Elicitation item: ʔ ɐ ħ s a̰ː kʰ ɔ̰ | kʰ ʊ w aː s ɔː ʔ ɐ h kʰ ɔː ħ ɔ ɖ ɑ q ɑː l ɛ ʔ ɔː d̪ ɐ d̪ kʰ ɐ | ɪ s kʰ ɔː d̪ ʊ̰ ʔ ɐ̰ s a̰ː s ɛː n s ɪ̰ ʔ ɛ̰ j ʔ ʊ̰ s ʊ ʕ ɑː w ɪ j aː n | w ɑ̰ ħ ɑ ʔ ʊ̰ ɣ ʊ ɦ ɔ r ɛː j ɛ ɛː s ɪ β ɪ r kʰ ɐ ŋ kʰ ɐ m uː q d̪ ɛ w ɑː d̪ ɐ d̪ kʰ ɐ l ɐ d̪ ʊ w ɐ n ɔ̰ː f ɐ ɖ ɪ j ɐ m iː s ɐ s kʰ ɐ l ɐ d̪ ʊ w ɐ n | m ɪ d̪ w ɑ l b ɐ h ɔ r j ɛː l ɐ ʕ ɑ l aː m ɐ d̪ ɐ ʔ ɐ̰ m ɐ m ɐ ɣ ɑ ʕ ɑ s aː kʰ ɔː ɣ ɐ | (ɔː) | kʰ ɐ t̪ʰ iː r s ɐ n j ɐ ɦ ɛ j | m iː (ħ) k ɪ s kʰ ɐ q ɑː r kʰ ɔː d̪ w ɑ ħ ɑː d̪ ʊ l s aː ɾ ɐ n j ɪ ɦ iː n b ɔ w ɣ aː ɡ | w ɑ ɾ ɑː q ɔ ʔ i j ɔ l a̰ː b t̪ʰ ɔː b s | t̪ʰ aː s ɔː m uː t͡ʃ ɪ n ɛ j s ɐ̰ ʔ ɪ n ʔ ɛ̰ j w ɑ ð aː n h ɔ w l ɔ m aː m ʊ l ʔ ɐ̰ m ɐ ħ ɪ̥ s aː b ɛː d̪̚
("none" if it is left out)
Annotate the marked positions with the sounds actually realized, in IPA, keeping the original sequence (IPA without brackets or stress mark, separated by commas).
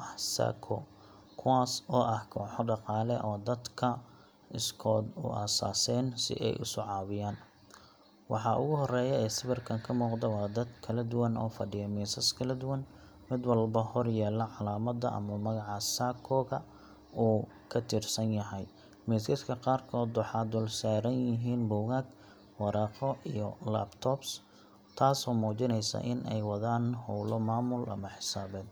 uː, s